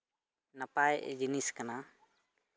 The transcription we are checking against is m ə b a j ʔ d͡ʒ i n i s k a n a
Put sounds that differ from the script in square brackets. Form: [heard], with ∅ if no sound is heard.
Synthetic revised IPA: [n] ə [p] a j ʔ d͡ʒ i n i s k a n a